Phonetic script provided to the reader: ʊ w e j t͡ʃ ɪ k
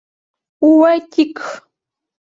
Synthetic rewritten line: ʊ w a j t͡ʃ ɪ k